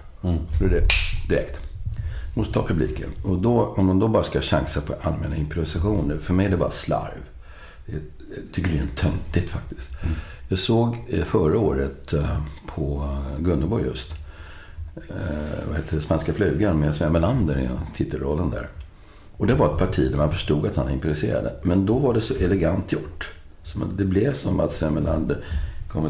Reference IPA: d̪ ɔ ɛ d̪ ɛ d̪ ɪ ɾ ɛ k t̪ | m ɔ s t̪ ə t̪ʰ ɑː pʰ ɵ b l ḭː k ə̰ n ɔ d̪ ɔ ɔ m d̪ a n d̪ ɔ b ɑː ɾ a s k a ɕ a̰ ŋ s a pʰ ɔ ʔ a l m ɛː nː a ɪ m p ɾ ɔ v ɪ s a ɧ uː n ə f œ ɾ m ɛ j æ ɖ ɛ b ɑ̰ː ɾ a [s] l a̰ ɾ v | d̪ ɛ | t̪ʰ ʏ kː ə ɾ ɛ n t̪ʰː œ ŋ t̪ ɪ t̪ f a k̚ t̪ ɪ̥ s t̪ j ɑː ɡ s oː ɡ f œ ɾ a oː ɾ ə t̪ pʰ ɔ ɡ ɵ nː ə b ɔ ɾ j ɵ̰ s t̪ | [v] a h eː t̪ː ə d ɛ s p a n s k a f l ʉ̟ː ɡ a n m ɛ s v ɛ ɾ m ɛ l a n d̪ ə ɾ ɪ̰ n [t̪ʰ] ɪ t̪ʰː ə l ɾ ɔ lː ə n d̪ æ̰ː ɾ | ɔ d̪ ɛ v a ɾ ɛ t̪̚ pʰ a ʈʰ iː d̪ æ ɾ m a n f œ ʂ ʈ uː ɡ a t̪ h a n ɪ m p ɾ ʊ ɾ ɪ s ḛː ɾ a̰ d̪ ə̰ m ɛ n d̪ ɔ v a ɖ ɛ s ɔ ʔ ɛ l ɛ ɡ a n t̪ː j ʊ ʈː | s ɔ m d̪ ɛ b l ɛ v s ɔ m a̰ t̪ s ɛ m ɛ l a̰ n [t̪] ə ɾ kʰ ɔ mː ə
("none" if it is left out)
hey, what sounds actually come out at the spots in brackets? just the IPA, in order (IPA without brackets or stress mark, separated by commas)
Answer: s, v, t̪ʰ, d̪